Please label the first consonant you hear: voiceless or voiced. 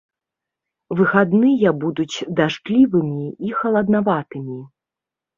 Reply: voiced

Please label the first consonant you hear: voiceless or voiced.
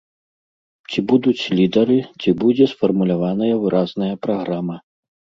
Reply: voiceless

